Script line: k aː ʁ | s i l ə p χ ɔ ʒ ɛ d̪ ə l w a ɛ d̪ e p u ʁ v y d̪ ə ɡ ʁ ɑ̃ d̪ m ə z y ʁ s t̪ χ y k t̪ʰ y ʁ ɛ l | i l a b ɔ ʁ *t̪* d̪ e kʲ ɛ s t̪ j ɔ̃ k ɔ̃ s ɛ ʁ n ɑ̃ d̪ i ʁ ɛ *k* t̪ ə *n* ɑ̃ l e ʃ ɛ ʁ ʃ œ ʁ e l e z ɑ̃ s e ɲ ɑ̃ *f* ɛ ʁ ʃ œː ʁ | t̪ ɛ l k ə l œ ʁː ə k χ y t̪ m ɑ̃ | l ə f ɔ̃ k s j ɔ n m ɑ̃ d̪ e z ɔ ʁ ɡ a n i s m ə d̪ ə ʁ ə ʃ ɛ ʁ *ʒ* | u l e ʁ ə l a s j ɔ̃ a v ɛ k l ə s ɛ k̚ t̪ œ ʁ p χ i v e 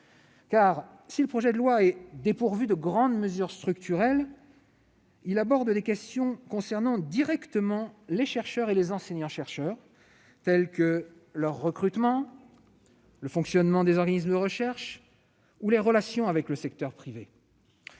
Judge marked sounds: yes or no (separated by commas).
no, yes, no, no, no